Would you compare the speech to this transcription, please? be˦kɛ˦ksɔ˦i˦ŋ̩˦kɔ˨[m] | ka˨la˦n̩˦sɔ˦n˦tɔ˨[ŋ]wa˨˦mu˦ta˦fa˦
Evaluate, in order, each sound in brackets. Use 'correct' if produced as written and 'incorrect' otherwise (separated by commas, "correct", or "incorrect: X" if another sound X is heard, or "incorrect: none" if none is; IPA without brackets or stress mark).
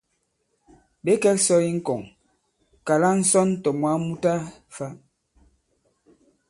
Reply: incorrect: ŋ, incorrect: m